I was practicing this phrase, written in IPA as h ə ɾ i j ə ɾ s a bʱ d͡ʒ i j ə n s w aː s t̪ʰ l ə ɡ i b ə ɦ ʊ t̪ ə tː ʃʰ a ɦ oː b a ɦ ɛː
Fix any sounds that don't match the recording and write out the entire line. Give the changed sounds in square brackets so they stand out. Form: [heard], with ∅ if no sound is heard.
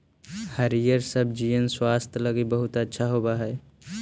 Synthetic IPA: h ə ɾ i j ə ɾ s [ə] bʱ d͡ʒ i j ə n s w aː s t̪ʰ l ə ɡ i b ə ɦ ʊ t̪ ə tː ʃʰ a ɦ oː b a ɦ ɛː

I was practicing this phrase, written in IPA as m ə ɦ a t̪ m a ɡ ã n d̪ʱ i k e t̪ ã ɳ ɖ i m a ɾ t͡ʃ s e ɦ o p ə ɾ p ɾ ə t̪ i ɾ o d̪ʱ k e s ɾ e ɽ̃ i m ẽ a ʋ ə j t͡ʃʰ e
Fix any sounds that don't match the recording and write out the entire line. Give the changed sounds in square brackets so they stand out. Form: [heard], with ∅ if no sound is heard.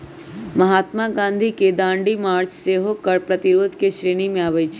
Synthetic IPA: m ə ɦ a t̪ m a ɡ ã n d̪ʱ i k e [d̪] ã ɳ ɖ i m a ɾ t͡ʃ s e ɦ o [k] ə ɾ p ɾ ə t̪ i ɾ o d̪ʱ k e [ʃ] ɾ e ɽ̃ i m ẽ a ʋ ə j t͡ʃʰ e

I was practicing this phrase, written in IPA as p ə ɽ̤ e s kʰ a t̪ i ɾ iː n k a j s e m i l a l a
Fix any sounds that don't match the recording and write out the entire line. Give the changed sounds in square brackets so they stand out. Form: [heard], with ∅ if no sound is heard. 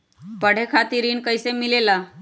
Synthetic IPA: p ə ɽ̤ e [∅] kʰ a t̪ i ɾ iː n k [ə] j s e m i l [e] l a

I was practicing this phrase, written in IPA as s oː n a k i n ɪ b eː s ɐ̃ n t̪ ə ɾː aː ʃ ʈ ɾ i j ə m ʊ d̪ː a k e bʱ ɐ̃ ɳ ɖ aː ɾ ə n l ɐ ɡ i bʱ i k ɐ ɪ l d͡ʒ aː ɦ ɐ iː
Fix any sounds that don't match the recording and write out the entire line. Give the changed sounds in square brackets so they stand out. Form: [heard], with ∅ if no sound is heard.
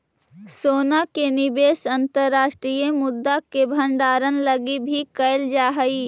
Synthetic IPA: s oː n a k [e] n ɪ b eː s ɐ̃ n t̪ ə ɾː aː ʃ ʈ ɾ i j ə m ʊ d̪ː a k e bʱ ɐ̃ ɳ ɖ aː ɾ ə n l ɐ ɡ i bʱ i k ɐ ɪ l d͡ʒ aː ɦ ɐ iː

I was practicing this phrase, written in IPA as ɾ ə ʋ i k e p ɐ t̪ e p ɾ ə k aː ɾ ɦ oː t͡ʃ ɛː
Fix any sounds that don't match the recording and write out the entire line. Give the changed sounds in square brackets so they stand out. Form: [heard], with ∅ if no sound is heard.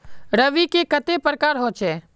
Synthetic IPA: ɾ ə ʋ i k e [k] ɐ t̪ e p ɾ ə k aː ɾ ɦ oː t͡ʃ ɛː

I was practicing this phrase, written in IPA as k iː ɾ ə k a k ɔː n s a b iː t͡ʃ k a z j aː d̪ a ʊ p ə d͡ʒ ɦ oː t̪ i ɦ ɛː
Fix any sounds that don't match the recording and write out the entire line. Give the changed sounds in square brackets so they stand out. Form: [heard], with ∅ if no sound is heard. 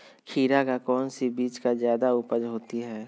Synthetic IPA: [kʰ] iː ɾ [a] k a k ɔː n s [i] b iː t͡ʃ k a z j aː d̪ a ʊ p ə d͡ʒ ɦ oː t̪ i ɦ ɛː

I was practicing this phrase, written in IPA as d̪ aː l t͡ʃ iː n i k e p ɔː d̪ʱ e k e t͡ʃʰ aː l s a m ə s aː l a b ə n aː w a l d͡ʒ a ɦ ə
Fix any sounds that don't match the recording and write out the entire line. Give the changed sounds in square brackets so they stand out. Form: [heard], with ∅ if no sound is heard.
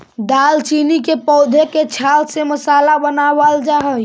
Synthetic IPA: d̪ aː l t͡ʃ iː n i k e p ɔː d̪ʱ e k e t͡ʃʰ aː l s [e] m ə s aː l a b ə n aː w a l d͡ʒ a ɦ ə

